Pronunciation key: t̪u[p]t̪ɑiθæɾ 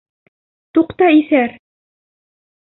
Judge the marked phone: incorrect: q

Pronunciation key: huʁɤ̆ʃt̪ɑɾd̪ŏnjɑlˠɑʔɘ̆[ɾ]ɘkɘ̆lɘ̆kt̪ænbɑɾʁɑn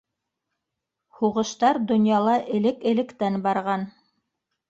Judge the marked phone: incorrect: l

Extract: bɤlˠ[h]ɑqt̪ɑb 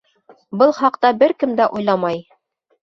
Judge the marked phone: incorrect: χ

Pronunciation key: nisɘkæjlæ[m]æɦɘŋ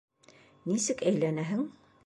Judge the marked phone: incorrect: n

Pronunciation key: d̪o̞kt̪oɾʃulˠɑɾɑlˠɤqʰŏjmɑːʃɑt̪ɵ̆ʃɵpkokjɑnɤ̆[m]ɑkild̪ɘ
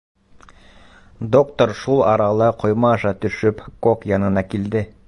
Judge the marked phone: incorrect: n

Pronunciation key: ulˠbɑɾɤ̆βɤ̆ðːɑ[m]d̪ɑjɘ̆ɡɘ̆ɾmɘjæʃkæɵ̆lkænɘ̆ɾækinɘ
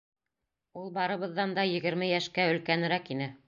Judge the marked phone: incorrect: n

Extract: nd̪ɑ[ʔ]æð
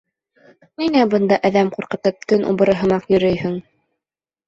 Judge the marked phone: correct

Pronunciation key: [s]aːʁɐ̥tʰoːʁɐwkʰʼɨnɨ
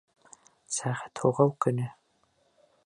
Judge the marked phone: correct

